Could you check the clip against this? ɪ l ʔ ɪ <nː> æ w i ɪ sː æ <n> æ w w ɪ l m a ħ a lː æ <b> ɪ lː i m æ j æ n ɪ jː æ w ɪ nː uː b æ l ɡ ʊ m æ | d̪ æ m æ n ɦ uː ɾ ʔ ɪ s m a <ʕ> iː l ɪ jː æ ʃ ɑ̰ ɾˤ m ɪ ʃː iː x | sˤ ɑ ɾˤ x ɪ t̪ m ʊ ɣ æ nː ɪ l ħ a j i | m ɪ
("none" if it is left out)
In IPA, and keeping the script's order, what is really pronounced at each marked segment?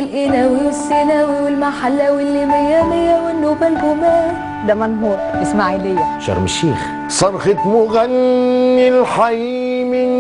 n, n, w, ʕ

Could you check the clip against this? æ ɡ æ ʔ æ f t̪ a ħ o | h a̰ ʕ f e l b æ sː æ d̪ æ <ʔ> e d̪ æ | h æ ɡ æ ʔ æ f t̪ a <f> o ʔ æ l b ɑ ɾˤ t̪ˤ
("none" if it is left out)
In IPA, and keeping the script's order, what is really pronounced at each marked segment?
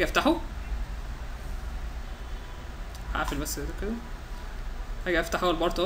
k, ħ

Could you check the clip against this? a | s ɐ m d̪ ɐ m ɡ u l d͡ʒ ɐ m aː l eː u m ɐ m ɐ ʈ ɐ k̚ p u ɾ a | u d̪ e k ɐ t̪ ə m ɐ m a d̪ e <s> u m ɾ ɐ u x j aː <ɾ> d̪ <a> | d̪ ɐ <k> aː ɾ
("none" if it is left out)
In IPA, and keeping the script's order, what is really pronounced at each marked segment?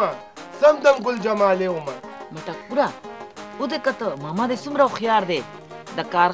s, ɾ, e, k

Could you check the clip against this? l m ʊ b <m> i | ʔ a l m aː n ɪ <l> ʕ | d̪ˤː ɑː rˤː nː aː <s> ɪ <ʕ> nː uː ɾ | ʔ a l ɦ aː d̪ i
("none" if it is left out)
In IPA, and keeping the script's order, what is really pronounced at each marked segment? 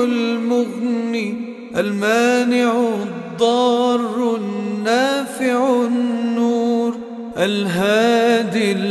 n, none, f, ʕ

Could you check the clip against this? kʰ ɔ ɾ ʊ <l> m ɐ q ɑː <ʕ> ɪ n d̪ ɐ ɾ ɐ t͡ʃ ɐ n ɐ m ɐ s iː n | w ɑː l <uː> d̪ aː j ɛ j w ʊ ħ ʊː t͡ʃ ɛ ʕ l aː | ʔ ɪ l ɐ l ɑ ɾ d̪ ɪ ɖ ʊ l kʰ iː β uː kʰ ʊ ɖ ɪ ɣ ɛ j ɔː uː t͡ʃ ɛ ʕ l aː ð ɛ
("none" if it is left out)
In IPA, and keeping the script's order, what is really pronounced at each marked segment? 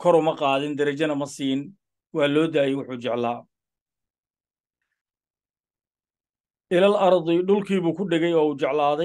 none, ð, ɔː

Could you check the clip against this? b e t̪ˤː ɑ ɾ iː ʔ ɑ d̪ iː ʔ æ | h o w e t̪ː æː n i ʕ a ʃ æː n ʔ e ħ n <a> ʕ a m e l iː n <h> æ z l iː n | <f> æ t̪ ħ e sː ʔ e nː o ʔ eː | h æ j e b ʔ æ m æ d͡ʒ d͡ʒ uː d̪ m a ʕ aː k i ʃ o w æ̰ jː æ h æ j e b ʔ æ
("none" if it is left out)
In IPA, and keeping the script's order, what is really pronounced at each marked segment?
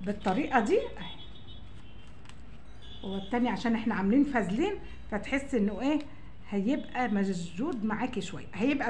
æ, f, f

